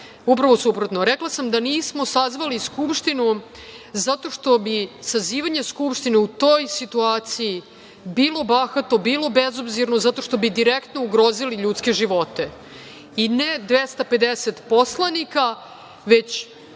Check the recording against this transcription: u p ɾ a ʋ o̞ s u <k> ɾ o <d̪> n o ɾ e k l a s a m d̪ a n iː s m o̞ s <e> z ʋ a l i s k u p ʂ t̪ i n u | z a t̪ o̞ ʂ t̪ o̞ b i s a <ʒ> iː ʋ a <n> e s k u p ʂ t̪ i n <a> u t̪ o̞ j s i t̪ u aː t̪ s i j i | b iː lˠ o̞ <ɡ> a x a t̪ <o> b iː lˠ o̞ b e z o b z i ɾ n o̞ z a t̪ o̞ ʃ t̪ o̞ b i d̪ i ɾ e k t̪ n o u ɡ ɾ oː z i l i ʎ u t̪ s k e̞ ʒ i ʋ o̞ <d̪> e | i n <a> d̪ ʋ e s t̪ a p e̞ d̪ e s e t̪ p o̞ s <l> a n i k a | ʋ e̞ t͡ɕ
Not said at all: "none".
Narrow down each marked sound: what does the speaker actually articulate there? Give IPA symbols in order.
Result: p, t̪, a, z, ɲ, e, b, o, t̪, e, l

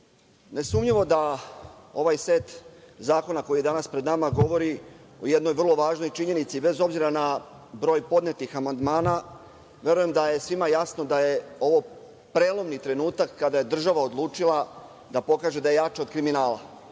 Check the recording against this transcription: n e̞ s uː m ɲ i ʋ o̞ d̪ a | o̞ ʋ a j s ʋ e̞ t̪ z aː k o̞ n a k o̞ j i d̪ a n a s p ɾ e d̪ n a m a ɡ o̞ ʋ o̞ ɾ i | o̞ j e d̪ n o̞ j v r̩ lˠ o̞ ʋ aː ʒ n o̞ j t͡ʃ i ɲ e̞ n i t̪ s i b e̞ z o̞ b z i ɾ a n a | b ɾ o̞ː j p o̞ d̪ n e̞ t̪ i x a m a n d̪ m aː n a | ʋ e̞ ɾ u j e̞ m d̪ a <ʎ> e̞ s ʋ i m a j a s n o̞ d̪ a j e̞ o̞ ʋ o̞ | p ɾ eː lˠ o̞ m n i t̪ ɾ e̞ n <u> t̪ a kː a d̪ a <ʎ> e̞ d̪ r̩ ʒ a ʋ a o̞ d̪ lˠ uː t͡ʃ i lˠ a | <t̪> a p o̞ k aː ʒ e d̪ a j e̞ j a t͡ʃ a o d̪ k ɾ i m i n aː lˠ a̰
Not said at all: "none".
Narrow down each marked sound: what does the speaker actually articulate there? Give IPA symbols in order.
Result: j, uː, j, d̪

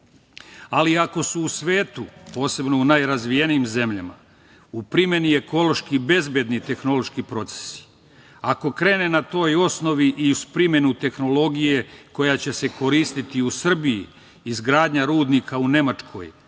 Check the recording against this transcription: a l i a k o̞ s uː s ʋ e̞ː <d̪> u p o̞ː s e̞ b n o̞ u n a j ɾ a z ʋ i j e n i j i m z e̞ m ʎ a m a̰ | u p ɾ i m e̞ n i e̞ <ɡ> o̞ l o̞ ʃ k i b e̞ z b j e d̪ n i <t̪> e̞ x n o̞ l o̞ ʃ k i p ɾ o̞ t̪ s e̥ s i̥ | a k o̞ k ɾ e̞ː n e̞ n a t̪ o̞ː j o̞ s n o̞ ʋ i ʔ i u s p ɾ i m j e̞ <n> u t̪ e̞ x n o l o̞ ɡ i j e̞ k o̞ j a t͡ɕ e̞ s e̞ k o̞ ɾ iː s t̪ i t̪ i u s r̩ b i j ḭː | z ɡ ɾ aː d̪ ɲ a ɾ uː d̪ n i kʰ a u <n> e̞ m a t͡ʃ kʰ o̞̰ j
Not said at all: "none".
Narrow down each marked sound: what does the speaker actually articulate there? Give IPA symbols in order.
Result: t̪, k, t̪, n, n

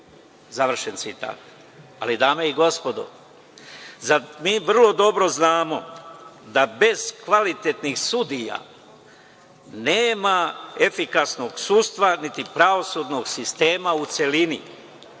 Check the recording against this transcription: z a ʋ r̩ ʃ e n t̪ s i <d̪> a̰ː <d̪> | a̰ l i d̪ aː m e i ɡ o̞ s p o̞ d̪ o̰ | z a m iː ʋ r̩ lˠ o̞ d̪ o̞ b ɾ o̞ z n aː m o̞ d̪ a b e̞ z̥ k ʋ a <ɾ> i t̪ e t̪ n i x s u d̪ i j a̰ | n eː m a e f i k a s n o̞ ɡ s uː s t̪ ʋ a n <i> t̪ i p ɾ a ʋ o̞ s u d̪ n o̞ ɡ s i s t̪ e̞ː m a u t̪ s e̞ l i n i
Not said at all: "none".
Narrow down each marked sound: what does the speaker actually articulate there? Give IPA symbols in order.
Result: t̪, t̪, l, i

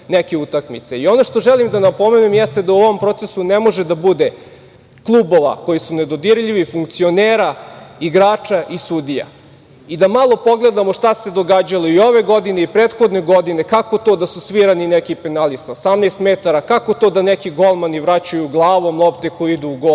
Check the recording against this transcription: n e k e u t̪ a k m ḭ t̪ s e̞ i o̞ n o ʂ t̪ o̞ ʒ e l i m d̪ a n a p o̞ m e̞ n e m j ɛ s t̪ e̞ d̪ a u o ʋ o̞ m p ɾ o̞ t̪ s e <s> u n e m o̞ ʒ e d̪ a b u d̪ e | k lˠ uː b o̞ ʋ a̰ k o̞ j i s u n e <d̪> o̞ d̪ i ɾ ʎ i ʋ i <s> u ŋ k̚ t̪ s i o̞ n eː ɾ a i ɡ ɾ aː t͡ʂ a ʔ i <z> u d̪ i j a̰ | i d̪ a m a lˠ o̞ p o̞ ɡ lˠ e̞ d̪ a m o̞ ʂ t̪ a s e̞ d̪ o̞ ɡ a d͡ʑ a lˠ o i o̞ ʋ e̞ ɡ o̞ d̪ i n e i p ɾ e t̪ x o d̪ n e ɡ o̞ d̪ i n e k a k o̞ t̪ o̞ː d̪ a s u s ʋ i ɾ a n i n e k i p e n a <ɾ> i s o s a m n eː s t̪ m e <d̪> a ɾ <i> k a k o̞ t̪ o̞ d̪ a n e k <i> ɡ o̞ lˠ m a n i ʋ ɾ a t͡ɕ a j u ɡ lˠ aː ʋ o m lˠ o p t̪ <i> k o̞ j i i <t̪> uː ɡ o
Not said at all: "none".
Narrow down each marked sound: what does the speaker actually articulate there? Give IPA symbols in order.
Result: s, d̪, f, s, l, t̪, a, i, e, d̪

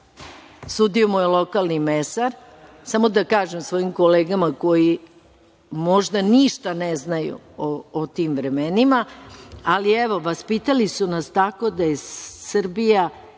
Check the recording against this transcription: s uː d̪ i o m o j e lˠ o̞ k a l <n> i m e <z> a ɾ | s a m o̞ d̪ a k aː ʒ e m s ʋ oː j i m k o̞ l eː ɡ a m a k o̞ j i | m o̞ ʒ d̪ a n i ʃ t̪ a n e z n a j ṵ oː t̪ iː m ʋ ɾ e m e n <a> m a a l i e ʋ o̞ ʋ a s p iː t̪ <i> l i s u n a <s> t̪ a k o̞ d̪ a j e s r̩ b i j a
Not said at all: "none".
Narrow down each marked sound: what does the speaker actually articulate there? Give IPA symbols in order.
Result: n, s, i, a, s

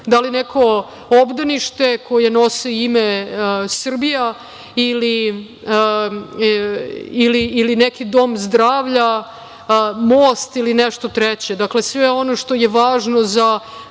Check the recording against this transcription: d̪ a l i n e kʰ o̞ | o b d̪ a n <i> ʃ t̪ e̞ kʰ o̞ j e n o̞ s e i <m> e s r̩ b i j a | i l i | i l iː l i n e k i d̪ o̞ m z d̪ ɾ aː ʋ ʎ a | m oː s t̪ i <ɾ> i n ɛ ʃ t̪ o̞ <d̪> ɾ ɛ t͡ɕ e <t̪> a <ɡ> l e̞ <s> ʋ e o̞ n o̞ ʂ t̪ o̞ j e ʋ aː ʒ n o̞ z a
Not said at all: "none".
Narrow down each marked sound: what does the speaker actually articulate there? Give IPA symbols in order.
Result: i, m, l, t̪, d̪, k, s

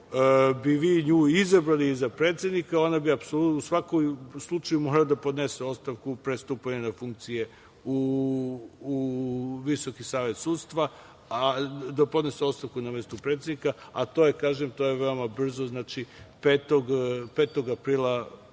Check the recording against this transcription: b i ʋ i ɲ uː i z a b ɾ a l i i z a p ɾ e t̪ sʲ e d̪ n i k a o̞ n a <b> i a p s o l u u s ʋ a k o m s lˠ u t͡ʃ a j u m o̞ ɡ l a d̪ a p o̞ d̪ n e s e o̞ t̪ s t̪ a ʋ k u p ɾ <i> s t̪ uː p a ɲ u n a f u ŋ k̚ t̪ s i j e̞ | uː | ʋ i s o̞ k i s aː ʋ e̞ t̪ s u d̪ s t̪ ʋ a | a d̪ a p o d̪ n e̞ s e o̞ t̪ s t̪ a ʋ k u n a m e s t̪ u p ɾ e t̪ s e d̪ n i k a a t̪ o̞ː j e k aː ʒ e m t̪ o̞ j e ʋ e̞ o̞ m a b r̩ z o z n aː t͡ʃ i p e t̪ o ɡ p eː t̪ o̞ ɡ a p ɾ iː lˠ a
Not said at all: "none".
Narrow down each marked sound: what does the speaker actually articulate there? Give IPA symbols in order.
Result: b, e

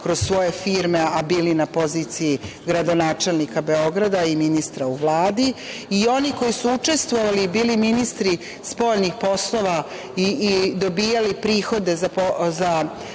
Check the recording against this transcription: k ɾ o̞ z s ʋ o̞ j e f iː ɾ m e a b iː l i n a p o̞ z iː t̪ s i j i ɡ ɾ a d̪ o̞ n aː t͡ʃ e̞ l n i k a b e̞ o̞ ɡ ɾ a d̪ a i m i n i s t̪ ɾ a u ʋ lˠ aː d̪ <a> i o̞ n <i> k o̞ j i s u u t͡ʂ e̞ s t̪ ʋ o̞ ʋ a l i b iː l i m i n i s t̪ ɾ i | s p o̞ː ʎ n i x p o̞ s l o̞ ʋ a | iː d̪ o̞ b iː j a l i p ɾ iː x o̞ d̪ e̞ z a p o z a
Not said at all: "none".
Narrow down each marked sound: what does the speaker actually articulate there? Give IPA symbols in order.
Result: i, i

